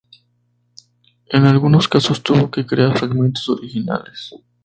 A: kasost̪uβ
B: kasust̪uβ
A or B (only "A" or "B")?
A